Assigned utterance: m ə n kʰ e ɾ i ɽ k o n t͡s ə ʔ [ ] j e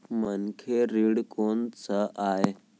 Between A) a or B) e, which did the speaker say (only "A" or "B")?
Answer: A